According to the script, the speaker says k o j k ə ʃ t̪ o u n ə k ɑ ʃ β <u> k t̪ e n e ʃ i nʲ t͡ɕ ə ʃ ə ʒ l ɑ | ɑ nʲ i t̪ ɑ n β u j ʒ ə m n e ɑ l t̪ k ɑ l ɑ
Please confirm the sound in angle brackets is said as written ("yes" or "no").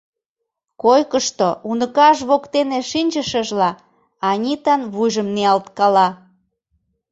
no